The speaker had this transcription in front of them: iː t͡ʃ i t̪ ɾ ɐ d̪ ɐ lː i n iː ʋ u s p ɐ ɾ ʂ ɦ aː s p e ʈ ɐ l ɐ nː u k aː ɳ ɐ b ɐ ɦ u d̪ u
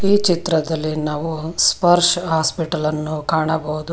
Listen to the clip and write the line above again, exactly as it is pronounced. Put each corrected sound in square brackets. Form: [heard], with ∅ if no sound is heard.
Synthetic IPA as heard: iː t͡ʃ i t̪ ɾ ɐ d̪ ɐ lː i n [aː] ʋ u s p ɐ ɾ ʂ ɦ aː s p [i] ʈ ɐ l ɐ nː u k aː ɳ ɐ b ɐ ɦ u d̪ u